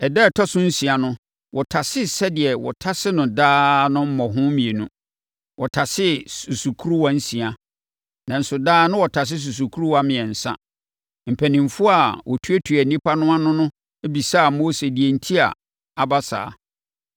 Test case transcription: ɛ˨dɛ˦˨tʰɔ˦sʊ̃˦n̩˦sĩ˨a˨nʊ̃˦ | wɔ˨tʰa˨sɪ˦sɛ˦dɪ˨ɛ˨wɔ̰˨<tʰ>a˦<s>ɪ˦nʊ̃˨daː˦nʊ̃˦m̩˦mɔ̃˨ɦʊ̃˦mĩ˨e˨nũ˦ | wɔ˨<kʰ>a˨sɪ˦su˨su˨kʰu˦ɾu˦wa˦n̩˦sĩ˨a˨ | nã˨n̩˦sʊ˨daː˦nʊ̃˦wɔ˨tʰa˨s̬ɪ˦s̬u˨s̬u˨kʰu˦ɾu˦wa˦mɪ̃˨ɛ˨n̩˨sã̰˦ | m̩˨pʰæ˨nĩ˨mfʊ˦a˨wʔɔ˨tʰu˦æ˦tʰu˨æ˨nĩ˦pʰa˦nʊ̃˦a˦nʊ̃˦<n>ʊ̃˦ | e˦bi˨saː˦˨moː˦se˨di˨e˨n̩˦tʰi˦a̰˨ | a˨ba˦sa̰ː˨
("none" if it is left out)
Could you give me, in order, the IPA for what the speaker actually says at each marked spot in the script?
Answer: tʰ, s, tʰ, n

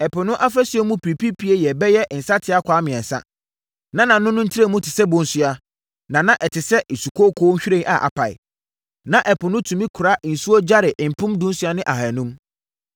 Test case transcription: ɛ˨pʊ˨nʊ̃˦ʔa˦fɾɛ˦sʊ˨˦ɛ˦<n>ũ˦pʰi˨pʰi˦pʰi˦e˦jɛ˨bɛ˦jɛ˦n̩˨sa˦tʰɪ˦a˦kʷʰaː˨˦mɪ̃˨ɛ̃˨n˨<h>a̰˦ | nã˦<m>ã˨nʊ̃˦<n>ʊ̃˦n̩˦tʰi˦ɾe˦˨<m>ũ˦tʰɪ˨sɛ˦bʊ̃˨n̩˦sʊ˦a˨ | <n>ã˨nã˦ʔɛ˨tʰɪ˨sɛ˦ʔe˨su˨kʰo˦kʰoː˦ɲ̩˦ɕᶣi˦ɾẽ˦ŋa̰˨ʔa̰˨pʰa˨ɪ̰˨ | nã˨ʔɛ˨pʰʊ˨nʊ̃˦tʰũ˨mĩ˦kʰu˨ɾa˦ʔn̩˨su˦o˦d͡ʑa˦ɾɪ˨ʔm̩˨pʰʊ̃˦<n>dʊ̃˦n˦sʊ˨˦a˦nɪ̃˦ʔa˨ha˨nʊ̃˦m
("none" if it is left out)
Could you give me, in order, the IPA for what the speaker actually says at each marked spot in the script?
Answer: m, s, n, n, m, n, m

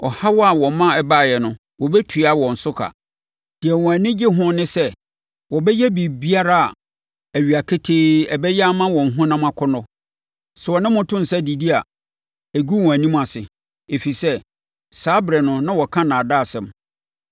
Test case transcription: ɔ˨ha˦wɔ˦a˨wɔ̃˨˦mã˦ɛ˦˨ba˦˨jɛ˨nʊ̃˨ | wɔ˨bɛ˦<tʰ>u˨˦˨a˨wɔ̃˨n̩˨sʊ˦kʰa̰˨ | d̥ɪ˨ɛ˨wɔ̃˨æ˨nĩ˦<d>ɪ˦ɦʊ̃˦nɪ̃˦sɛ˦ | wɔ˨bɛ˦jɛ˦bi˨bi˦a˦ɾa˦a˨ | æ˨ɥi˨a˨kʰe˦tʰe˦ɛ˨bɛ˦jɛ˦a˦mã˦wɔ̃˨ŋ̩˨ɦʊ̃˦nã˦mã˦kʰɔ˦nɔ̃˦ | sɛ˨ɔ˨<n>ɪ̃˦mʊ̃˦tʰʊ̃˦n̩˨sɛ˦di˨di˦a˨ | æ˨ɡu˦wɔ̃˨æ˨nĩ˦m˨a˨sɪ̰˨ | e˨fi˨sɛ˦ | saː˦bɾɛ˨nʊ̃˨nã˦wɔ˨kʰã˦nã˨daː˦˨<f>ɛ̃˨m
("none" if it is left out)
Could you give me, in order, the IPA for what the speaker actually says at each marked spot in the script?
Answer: tʰ, d͡ʑ, n, s

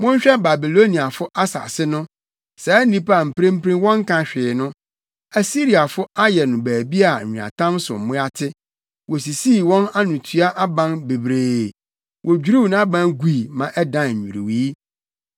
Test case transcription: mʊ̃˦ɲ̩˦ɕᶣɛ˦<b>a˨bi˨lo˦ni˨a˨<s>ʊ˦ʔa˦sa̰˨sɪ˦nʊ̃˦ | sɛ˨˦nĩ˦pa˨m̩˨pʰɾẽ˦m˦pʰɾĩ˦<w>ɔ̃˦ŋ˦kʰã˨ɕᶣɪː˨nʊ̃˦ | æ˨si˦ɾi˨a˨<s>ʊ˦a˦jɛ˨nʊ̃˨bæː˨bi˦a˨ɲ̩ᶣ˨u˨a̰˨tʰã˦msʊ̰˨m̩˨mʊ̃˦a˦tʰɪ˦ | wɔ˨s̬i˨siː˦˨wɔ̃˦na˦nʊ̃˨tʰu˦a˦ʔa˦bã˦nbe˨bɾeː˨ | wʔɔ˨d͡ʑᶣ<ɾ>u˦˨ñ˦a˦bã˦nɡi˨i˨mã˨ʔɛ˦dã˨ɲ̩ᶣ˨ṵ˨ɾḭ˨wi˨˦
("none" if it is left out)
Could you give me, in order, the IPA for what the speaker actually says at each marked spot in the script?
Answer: b, f, w, f, ɾ

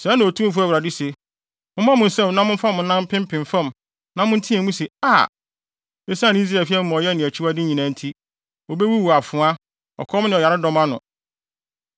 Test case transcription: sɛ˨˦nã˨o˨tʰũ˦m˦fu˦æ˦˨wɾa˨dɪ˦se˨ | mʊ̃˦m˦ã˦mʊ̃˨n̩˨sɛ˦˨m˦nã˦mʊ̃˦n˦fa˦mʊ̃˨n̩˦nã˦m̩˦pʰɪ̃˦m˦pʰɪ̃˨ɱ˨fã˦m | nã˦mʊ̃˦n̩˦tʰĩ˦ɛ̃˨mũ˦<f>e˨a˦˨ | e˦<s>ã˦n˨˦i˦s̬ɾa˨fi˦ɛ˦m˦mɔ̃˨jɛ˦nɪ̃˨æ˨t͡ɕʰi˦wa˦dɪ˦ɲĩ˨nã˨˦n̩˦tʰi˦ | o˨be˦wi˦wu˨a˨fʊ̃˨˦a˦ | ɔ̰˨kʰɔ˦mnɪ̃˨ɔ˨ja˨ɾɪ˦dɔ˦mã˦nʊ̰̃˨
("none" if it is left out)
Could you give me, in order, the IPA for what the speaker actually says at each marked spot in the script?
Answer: s, s

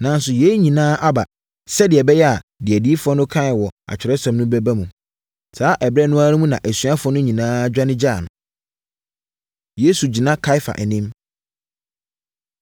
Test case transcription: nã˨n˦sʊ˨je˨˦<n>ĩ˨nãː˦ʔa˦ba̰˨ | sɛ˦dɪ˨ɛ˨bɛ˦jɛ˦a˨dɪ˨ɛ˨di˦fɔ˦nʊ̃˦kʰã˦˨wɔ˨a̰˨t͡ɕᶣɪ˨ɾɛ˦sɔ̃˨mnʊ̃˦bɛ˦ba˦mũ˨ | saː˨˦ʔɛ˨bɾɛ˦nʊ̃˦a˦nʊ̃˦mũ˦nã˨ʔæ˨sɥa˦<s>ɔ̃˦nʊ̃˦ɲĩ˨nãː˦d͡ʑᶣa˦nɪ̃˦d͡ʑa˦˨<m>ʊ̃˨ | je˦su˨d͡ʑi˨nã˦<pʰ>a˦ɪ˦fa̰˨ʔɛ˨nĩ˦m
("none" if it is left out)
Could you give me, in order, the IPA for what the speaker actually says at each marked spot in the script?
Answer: ɲ, f, n, kʰ

